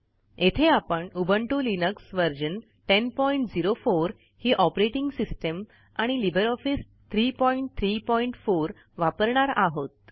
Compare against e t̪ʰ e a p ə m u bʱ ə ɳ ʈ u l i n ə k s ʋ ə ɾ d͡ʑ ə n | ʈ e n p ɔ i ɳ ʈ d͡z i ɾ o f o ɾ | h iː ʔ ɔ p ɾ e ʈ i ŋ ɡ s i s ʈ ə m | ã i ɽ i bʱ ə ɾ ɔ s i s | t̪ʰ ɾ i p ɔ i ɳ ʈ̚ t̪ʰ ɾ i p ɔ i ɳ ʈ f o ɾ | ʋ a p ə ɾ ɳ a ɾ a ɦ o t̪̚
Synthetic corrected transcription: e t̪ʰ e a p ə ɳ u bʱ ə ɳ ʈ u l i n ə k s ʋ ə ɾ d͡ʑ ə n | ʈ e n p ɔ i ɳ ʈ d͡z i ɾ o f o ɾ | h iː ʔ ɔ p ɾ e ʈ i ŋ ɡ s i s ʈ ə m | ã i l i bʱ ə ɾ ɔ f i s | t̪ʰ ɾ i p ɔ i ɳ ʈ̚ t̪ʰ ɾ i p ɔ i ɳ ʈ f o ɾ | ʋ a p ə ɾ ɳ a ɾ a ɦ o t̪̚